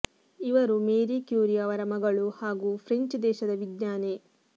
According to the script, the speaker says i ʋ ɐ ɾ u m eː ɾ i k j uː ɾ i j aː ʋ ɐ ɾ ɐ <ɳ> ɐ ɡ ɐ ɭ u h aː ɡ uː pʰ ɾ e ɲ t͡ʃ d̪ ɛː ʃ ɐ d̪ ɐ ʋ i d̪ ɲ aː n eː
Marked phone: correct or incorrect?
incorrect